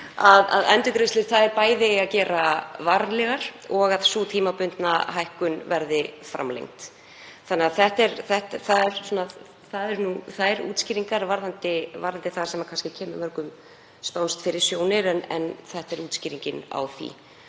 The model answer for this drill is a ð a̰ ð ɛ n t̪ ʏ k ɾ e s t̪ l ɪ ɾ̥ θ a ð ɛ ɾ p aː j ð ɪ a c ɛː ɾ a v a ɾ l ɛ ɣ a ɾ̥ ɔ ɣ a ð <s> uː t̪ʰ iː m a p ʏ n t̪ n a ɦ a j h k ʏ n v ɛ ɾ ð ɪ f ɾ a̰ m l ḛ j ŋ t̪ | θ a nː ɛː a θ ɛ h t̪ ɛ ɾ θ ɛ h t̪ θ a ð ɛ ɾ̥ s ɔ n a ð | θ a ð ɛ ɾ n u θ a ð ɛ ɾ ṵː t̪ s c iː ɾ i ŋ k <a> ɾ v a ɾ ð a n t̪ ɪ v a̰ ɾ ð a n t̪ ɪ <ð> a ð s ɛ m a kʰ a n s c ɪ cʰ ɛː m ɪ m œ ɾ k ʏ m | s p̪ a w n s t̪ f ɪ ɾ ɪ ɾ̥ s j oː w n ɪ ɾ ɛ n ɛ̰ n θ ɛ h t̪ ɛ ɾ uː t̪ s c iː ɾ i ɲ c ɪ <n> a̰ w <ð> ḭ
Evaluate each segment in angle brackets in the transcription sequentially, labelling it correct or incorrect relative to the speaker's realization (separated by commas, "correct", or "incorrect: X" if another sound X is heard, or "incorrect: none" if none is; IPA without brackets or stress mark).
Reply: correct, correct, incorrect: θ, correct, incorrect: θ